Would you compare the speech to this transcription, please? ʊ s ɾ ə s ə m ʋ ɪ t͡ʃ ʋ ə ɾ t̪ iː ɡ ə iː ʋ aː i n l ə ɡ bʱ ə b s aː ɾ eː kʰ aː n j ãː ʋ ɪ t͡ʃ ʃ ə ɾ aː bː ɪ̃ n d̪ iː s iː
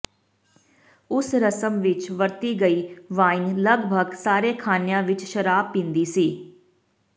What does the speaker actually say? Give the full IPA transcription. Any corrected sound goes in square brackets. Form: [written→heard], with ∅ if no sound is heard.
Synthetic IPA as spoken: ʊ s ɾ ə s ə m ʋ ɪ t͡ʃ ʋ ə ɾ t̪ iː ɡ ə iː ʋ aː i n l ə ɡ bʱ ə [b→ɡ] s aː ɾ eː kʰ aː n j ãː ʋ ɪ t͡ʃ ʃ ə ɾ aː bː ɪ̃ n d̪ iː s iː